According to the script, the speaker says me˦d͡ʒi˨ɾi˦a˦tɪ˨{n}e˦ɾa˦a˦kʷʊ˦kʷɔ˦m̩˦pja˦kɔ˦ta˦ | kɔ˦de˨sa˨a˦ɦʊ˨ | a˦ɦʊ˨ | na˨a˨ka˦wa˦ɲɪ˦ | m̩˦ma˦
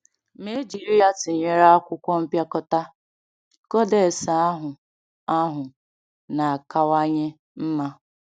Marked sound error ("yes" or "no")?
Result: yes